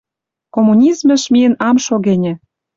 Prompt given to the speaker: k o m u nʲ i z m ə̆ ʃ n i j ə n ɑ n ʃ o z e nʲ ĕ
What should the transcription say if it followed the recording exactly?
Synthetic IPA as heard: k o m u nʲ i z m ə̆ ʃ m i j ə n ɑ m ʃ o ɣ e nʲ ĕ